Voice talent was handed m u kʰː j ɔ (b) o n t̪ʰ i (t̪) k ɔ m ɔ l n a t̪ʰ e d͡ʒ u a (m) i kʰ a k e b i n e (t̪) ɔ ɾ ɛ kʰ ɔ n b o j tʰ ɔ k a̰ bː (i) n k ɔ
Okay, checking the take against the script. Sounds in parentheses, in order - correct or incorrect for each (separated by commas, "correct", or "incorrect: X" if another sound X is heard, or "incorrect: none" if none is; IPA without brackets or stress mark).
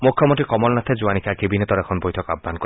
incorrect: m, incorrect: none, incorrect: n, correct, incorrect: a